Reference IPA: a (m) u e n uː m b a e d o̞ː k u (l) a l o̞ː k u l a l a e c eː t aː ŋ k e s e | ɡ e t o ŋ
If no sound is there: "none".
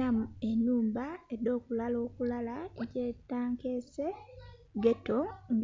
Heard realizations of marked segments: m, l

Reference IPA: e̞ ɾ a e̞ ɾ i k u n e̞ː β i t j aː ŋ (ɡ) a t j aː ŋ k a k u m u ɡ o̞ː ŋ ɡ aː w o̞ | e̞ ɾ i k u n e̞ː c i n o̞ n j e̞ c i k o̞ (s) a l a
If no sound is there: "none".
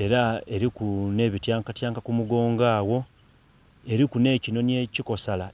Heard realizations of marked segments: k, s

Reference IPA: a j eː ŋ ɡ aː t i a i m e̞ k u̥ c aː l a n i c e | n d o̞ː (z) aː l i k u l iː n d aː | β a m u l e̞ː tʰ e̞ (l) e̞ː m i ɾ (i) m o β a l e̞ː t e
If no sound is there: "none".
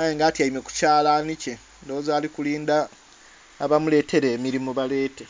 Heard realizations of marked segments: z, ɾ, i

